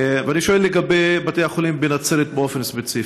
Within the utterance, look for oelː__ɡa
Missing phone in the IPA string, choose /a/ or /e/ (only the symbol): e